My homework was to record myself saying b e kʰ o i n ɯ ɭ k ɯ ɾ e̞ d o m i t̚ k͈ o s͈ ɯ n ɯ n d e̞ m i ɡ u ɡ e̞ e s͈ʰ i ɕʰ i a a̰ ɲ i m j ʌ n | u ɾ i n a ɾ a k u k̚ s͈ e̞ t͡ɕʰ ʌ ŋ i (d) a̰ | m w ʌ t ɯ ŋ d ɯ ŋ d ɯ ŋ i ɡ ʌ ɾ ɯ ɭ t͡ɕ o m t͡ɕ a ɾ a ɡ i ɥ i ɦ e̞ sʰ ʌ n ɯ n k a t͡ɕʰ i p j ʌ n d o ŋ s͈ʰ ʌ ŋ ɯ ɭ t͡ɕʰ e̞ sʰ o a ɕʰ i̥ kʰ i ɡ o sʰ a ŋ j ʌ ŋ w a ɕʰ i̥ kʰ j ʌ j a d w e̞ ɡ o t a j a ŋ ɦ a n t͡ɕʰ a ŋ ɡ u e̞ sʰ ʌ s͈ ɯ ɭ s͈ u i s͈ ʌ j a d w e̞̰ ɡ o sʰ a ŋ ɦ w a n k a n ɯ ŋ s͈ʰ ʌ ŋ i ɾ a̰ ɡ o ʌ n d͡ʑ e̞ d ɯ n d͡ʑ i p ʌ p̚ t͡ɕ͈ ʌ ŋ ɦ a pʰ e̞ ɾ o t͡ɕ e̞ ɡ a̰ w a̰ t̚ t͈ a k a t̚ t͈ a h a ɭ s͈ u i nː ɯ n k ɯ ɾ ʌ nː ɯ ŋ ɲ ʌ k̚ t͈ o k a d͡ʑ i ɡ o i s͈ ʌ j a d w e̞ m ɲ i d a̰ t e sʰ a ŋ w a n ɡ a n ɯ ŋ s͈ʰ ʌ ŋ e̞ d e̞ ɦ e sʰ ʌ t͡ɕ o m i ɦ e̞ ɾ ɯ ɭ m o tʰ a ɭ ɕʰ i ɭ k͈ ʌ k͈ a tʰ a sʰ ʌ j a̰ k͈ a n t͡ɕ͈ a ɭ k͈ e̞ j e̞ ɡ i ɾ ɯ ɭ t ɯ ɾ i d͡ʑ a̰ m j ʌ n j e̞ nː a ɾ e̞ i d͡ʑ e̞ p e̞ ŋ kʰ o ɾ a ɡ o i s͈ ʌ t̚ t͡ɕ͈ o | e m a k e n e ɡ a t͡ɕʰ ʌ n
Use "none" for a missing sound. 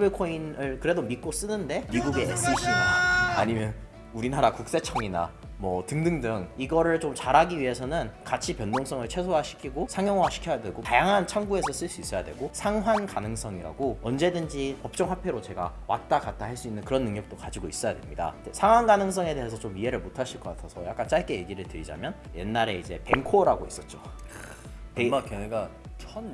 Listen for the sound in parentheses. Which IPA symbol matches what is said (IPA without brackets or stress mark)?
n